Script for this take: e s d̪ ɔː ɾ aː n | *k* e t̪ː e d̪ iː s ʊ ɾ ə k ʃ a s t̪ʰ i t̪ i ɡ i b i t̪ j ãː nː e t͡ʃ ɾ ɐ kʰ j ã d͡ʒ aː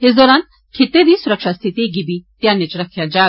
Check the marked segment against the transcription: incorrect: kʰ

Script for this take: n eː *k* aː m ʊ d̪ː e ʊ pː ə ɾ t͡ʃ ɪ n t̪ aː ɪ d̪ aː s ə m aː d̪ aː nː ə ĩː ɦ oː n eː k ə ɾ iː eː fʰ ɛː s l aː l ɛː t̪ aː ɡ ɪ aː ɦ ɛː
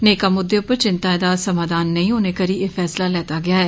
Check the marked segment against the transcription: correct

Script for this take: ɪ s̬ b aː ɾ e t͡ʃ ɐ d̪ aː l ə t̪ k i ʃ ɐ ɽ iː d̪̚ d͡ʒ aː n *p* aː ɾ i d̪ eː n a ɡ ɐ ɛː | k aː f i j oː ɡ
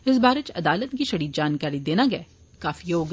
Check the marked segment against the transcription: incorrect: k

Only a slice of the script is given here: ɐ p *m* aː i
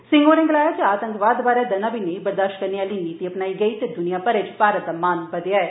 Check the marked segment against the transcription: incorrect: n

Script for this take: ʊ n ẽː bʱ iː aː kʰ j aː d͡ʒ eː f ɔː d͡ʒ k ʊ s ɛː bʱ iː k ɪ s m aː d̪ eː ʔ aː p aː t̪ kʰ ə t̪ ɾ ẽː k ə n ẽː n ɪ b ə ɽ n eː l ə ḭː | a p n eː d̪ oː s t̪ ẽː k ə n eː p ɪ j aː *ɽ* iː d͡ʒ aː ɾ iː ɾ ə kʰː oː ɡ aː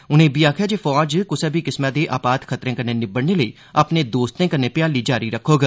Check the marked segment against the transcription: incorrect: l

